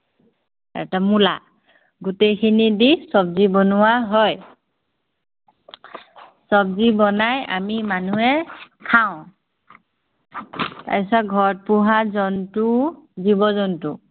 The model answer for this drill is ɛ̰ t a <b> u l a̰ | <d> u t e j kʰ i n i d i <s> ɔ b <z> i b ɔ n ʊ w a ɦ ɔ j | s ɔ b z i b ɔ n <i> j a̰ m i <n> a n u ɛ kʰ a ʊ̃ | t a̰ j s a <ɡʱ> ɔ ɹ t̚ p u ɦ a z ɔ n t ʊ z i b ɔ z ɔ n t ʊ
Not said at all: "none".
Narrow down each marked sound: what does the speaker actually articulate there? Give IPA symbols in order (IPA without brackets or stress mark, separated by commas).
m, ɡ, s, z, a, m, ɡʱ